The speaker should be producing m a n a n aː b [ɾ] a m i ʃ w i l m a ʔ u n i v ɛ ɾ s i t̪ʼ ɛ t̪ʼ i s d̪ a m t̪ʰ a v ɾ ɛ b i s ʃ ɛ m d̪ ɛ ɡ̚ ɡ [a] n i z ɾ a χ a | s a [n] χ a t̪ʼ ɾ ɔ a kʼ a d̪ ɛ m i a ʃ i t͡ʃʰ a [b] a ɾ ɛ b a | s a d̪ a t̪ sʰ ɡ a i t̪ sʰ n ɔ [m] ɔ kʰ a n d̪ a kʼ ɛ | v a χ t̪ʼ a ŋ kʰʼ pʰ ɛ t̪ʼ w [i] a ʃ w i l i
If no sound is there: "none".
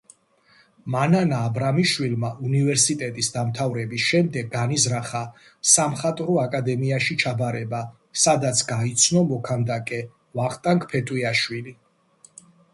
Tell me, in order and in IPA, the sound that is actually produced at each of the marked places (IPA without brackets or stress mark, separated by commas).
ɾ, a, m, b, m, i